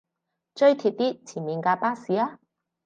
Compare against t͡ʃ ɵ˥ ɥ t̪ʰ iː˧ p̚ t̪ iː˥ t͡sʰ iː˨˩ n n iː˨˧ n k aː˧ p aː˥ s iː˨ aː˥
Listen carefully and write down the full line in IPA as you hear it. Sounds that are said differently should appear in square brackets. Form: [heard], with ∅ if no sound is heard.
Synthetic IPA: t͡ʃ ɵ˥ ɥ t̪ʰ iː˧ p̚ t̪ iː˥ t͡sʰ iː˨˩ n [m] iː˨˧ n k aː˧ p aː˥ s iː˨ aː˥